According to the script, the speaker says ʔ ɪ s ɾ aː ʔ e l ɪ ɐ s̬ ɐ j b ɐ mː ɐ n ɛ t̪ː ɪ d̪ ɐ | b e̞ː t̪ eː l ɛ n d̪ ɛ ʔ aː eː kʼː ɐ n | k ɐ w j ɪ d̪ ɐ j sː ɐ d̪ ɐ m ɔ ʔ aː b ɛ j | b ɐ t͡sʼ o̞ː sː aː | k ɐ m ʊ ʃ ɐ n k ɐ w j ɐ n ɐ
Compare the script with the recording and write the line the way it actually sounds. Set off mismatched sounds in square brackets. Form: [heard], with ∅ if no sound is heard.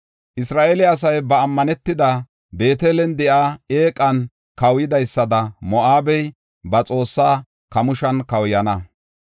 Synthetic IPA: ʔ ɪ s ɾ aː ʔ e l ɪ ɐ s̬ ɐ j b [ɐː] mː ɐ n ɛ t̪ː ɪ d̪ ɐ | b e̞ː t̪ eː l ɛ n d̪ ɛ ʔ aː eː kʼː ɐ n | k ɐ w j ɪ d̪ ɐ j sː ɐ d̪ ɐ m ɔ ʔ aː b ɛ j | b ɐ t͡sʼ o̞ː sː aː | k ɐ m ʊ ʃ ɐ n k ɐ w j ɐ n ɐ